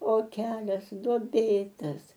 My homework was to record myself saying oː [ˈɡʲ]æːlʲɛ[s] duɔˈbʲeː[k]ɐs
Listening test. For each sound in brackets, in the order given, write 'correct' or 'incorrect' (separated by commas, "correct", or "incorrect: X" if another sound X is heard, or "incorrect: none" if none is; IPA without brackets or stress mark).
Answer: incorrect: kʲ, correct, incorrect: t